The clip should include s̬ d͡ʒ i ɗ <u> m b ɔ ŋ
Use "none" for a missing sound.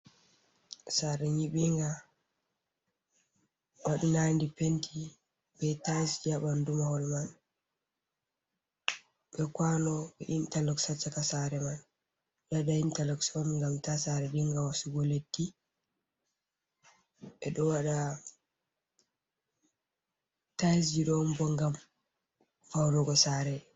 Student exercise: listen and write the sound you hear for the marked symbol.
ɔ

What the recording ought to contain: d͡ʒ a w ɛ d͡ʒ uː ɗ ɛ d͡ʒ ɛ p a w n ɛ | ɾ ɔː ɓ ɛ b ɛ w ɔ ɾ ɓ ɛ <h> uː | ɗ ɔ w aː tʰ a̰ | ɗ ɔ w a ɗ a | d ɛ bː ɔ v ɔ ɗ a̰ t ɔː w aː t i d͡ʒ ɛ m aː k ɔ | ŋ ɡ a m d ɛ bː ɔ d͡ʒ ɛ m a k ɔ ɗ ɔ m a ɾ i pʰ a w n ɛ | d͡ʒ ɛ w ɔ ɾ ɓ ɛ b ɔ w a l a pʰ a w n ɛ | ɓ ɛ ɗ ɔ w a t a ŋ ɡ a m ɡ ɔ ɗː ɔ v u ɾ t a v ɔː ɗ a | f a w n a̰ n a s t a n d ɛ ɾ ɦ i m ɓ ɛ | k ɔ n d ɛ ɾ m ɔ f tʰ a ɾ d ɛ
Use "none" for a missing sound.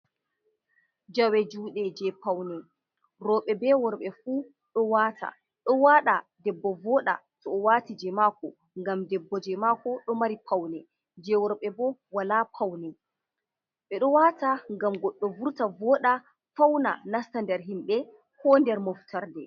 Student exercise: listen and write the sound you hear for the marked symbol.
f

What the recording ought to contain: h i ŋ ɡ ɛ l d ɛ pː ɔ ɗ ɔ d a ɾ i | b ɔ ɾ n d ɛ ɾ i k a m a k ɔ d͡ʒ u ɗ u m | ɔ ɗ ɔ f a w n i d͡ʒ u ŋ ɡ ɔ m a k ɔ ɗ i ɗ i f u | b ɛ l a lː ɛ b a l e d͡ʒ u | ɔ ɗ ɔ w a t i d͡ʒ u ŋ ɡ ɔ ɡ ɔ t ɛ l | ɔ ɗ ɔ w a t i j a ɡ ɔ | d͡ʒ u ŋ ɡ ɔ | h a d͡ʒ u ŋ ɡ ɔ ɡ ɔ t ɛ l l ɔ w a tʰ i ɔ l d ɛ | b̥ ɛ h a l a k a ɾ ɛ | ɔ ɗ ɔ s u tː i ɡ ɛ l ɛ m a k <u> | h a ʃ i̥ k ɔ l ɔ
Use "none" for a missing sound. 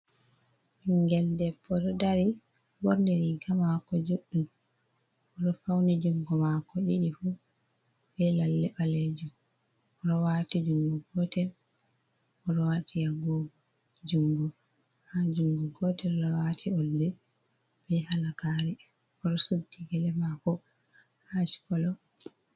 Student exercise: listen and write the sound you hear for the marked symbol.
ɔ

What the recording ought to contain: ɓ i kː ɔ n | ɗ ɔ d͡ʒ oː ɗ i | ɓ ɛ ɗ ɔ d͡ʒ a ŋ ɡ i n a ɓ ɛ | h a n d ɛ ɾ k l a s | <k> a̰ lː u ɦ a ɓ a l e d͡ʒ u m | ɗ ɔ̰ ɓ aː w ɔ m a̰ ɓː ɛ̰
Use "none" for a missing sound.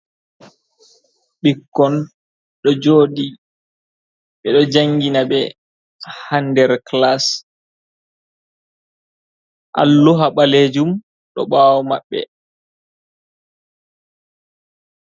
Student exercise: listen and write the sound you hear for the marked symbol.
ʔ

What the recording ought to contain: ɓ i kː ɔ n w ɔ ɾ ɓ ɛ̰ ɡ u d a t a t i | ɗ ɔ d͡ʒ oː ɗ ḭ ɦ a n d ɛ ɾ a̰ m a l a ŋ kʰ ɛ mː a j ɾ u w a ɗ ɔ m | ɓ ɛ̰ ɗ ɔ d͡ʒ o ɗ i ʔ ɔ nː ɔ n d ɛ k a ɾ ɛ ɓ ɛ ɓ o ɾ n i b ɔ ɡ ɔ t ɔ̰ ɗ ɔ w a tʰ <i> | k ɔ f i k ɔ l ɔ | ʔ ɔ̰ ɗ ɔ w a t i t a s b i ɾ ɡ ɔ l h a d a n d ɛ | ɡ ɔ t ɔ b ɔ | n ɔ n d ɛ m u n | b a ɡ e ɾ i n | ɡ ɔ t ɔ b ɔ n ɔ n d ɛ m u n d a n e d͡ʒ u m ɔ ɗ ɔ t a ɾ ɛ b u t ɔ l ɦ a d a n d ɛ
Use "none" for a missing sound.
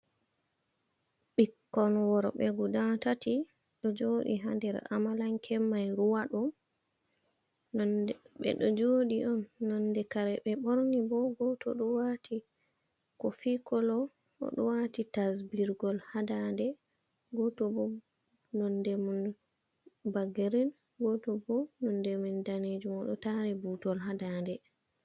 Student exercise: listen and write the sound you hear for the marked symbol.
i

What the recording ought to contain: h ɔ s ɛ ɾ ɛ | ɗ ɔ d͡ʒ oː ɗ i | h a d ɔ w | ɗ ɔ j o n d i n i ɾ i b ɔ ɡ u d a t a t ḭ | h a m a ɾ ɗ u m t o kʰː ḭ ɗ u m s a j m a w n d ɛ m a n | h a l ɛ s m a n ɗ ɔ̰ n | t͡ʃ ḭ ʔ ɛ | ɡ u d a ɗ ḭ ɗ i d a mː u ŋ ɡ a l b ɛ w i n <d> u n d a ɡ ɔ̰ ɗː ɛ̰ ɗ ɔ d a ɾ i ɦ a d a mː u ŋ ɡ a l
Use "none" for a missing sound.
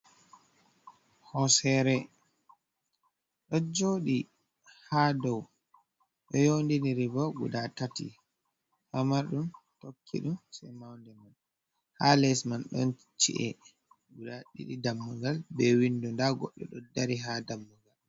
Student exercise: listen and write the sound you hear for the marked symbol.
d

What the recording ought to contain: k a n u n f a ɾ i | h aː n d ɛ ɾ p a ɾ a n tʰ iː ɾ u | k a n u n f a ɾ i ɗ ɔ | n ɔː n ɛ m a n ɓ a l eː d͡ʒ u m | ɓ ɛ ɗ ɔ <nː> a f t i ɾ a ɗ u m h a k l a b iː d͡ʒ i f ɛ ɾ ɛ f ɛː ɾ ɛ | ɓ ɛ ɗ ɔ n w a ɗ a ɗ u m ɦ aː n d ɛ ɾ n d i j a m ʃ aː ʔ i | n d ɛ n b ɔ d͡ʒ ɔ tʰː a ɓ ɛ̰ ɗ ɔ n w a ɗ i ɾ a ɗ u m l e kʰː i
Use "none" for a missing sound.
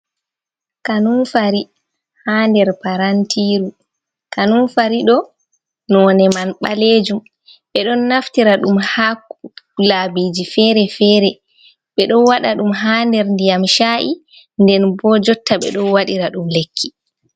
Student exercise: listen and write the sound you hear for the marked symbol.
nː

